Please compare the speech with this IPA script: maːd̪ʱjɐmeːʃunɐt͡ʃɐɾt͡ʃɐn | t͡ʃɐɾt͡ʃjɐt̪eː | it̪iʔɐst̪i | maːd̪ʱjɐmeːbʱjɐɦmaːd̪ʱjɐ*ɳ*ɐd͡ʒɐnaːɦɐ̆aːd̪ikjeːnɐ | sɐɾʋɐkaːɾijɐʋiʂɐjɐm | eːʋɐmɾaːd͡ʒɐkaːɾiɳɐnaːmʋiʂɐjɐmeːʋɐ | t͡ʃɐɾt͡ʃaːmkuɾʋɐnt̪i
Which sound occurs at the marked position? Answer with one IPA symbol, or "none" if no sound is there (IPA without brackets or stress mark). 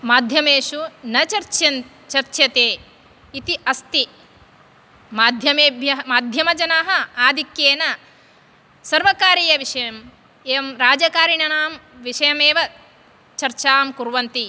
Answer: m